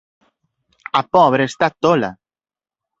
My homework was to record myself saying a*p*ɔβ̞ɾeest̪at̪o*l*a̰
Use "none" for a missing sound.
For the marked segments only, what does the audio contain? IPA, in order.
p, l

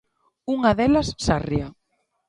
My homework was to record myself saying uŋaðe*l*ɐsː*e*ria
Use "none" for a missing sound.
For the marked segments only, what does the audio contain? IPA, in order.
l, a

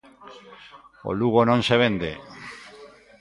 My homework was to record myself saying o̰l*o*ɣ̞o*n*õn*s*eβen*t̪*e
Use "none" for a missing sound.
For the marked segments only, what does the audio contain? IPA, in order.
u, n, s, d̪

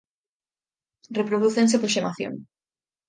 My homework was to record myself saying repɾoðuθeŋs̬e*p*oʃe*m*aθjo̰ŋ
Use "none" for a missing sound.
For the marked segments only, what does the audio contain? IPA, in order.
p, m

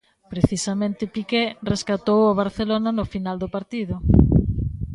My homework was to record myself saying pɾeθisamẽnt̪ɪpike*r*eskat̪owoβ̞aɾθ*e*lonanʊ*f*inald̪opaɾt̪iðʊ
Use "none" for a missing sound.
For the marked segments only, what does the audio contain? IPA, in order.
r, e, f

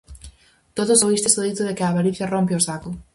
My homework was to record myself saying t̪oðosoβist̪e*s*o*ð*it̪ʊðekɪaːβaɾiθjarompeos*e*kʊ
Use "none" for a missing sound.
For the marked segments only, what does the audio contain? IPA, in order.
s, ð, a

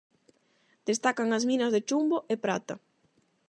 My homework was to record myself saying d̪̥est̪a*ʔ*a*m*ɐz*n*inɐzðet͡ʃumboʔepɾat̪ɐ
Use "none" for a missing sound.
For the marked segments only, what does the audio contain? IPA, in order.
k, ŋ, m

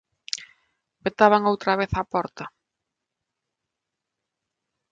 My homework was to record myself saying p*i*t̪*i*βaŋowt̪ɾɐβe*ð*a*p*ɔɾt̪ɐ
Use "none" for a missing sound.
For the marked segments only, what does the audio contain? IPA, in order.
e, a, θ, p

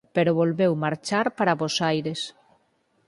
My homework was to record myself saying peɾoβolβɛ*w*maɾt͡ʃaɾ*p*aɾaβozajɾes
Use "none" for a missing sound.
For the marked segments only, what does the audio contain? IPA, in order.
w, p

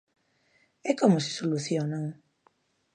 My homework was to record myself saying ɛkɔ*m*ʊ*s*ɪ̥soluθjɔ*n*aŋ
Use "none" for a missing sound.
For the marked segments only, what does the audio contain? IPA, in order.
m, s, n

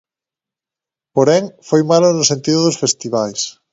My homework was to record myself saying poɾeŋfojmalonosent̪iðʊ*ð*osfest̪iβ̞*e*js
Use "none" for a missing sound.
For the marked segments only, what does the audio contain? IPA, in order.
ð, a

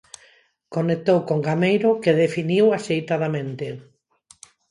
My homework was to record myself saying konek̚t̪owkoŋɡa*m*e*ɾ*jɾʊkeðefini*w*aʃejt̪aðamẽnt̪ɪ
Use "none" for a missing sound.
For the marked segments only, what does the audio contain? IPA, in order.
m, none, w

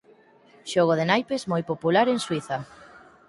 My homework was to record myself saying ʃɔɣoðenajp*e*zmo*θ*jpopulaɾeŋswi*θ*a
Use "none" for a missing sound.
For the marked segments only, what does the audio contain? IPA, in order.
e, none, θ

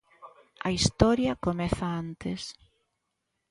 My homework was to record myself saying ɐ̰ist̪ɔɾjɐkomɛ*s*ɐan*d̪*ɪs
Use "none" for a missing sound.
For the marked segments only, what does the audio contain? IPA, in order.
θ, t̪

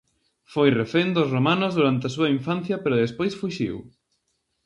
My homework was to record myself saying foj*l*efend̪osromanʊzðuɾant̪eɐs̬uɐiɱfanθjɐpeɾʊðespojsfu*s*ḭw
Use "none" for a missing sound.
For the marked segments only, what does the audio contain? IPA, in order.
r, ʃ

